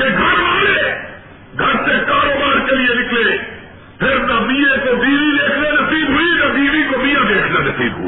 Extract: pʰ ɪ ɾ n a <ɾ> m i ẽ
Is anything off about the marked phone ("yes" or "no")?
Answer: yes